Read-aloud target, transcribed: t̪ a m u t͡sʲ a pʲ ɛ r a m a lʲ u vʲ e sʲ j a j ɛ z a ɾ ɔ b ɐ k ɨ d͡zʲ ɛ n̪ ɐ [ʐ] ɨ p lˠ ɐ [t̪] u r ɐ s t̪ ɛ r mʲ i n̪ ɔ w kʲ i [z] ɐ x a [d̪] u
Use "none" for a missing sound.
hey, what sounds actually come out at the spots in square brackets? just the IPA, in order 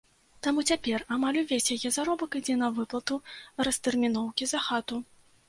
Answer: v, t̪, z, t̪

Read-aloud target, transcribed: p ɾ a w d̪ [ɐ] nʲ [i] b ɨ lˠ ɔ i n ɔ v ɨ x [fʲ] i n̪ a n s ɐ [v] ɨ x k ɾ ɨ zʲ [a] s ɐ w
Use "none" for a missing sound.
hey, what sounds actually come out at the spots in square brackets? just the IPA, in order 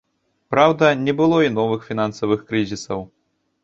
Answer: ɐ, ɛ, fʲ, v, i

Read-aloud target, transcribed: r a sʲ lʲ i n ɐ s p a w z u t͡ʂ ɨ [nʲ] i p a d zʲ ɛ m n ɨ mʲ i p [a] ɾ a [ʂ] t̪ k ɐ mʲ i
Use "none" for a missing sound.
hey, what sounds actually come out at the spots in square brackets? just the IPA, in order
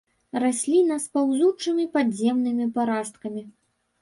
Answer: mʲ, a, s

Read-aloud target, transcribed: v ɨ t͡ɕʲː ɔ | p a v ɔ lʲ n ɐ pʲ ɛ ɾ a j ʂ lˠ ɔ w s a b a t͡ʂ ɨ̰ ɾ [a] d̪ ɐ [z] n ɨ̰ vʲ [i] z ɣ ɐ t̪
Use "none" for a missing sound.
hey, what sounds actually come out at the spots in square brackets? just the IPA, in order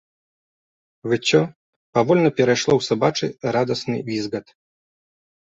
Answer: a, s, i

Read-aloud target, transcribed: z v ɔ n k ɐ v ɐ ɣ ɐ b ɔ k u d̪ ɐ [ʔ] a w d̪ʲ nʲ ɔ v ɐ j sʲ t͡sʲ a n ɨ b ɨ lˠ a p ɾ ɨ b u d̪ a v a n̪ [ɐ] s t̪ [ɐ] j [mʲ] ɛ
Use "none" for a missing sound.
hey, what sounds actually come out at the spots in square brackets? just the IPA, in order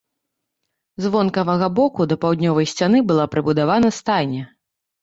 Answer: p, ɐ, a, nʲ

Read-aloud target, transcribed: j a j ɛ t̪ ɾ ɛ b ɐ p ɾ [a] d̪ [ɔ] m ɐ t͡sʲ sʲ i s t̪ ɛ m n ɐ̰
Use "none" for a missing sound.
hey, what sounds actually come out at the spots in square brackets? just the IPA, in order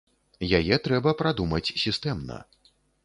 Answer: a, u

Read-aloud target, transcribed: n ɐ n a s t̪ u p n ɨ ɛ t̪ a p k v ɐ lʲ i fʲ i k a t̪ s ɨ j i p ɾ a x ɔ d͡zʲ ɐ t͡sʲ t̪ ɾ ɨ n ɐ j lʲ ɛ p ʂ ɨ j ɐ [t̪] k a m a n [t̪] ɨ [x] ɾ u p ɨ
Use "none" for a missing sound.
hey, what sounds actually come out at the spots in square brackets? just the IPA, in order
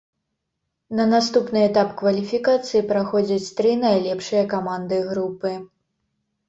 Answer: none, d̪, ɣ

